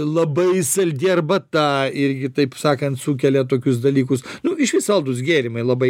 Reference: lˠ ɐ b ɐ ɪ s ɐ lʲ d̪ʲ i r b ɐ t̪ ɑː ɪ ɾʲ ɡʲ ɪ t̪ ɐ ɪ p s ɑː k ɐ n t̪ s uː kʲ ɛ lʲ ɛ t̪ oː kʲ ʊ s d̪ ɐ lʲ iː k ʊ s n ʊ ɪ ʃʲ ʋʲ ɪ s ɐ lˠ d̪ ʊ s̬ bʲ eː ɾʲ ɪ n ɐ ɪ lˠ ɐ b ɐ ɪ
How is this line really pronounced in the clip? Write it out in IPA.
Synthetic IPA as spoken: lˠ ɐ b ɐ ɪ s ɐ lʲ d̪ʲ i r b ɐ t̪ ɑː ɪ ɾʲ ɡʲ ɪ t̪ ɐ ɪ p s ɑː k ɐ n t̪ s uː kʲ ɛ lʲ ɛ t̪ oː kʲ ʊ s d̪ ɐ lʲ iː k ʊ s n ʊ ɪ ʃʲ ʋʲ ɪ s ɐ lˠ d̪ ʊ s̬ ɡʲ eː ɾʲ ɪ m ɐ ɪ lˠ ɐ b ɐ ɪ